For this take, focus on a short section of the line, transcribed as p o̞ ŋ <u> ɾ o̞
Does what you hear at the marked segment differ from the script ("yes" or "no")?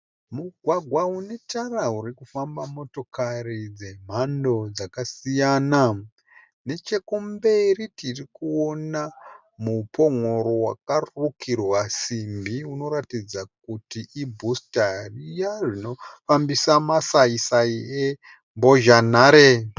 yes